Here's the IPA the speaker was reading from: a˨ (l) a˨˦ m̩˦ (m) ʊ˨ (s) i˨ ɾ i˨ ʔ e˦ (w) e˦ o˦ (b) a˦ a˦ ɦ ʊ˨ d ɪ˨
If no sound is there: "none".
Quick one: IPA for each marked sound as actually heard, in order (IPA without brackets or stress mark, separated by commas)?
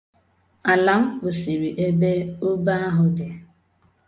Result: l, b, s, b, b